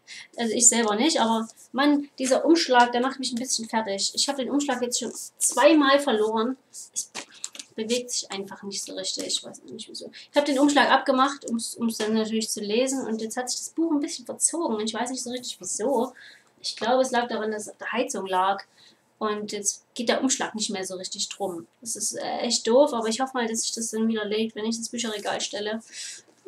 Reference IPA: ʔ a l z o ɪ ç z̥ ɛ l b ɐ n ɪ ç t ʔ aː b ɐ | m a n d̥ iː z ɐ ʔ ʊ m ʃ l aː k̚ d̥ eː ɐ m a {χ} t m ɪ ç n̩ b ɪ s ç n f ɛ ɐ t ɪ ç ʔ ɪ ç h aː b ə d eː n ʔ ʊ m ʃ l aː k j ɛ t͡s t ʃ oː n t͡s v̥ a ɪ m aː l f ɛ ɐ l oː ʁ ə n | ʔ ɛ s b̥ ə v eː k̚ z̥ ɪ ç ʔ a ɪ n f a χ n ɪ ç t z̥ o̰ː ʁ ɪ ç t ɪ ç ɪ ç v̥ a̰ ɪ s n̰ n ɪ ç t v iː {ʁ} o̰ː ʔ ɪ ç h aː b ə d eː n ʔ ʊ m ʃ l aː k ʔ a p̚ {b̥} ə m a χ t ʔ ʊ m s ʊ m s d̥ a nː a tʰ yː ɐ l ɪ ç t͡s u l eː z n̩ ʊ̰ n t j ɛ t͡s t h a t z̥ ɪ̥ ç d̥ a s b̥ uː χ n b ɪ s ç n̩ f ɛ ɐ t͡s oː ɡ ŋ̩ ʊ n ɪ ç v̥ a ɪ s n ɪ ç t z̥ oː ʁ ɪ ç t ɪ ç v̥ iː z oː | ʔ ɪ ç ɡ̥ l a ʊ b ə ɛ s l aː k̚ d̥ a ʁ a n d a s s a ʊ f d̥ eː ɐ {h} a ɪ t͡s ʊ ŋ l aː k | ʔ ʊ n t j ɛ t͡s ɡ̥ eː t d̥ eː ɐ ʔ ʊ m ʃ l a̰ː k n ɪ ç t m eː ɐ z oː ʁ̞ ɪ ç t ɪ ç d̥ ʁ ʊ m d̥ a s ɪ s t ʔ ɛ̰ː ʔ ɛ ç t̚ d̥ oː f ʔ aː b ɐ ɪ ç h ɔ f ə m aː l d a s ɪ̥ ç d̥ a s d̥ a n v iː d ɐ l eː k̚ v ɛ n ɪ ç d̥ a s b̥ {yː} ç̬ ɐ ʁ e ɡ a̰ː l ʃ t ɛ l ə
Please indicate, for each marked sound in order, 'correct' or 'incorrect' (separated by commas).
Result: correct, incorrect, incorrect, correct, correct